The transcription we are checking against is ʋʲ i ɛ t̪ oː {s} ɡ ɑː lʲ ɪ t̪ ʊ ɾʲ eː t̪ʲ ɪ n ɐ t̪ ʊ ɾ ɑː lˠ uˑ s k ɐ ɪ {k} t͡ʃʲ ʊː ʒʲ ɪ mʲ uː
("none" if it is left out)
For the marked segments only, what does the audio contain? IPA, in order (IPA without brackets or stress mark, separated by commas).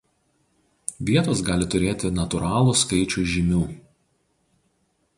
s, none